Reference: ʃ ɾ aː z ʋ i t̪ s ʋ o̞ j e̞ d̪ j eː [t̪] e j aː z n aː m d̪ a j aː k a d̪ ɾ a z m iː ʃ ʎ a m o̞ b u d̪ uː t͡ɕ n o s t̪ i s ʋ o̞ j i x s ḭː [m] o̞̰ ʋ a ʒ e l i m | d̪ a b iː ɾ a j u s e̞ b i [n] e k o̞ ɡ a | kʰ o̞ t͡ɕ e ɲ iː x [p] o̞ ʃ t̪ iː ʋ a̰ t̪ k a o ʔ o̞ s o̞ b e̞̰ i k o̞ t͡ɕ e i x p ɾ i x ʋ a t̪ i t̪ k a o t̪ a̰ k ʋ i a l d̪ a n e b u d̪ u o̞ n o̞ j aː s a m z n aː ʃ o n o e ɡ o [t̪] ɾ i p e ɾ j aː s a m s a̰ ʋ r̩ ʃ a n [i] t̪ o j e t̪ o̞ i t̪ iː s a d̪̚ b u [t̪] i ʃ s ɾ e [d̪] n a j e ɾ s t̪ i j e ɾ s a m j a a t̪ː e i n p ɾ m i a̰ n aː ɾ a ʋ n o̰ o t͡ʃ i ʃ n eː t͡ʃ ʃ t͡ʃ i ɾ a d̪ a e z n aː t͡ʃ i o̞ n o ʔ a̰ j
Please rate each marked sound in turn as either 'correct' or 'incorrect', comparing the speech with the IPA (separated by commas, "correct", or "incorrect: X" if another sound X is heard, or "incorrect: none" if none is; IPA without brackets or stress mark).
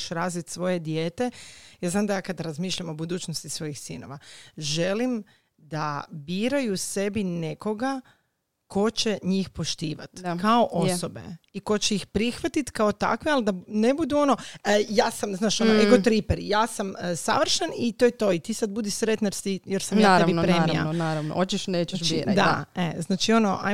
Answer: correct, incorrect: n, correct, correct, correct, correct, incorrect: d̪, incorrect: t̪